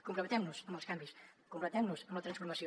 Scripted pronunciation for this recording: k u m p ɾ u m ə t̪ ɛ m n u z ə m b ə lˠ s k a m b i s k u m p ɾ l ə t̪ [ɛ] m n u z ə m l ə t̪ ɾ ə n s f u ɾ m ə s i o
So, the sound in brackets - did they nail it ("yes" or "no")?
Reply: yes